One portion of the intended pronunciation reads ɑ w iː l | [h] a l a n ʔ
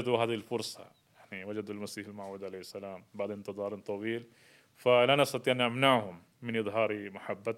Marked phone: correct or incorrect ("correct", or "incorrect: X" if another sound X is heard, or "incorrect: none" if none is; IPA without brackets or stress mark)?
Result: incorrect: f